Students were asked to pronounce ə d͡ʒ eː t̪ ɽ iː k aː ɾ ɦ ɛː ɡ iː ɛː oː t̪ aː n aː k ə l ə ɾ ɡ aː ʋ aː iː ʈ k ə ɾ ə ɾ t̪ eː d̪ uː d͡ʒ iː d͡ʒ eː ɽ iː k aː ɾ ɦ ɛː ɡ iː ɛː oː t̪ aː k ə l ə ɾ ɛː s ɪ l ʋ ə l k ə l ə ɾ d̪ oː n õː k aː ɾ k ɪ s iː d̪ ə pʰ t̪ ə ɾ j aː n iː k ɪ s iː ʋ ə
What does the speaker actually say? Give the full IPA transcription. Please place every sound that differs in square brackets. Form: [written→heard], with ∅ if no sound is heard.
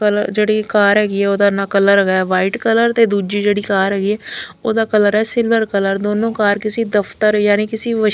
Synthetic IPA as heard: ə d͡ʒ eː [t̪→∅] ɽ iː k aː ɾ ɦ ɛː ɡ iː ɛː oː [t̪→d̪] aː n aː k ə l ə ɾ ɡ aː ʋ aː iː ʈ k ə [ɾ→l] ə ɾ t̪ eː d̪ uː d͡ʒ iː d͡ʒ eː ɽ iː k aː ɾ ɦ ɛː ɡ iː ɛː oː [t̪→d̪] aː k ə l ə ɾ ɛː s ɪ l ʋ ə [l→ɾ] k ə l ə ɾ d̪ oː n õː k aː ɾ k ɪ s iː d̪ ə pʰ t̪ ə ɾ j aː n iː k ɪ s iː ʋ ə